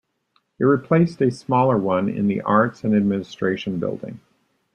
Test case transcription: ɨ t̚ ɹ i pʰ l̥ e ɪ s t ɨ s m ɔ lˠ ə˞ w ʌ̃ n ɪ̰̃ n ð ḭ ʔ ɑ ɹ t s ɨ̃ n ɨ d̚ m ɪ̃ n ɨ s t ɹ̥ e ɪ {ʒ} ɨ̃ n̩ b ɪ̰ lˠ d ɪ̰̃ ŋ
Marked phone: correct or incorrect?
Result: incorrect